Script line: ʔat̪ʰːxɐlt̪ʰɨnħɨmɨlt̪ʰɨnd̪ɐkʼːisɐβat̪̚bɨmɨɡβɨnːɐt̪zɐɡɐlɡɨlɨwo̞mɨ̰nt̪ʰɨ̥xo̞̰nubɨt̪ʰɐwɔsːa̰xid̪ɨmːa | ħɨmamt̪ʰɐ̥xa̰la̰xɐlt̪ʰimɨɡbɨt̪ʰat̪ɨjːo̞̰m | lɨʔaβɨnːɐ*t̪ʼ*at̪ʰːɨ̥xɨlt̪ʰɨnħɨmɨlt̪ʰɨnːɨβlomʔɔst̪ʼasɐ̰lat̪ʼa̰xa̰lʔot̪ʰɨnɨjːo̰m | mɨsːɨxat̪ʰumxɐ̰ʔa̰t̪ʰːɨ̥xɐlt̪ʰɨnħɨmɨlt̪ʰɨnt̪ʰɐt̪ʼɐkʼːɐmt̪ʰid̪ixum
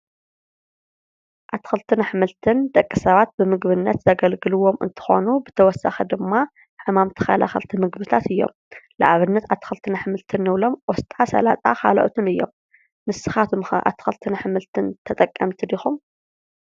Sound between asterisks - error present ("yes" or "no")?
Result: yes